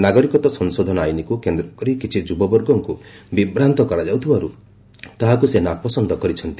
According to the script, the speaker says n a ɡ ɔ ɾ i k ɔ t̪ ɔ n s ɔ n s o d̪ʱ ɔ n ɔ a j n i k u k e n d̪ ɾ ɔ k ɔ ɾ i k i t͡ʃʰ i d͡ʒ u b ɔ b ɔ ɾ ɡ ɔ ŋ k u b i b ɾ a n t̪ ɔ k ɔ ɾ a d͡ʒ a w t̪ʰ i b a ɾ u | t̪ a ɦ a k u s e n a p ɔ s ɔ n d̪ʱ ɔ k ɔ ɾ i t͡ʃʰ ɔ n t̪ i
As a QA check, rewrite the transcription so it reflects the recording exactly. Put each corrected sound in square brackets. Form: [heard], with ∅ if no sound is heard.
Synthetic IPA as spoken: n a ɡ ɔ ɾ i k ɔ t̪ ɔ [∅] s ɔ n s o d̪ʱ ɔ n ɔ a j n i k u k e n d̪ ɾ ɔ k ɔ ɾ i k i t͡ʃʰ i d͡ʒ u b ɔ b ɔ ɾ ɡ ɔ ŋ k u b i b ɾ a n t̪ ɔ k ɔ ɾ a d͡ʒ a w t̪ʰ i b a ɾ u | t̪ a ɦ a k u s e n a p ɔ s ɔ n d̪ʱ ɔ k ɔ ɾ i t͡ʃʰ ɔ n t̪ i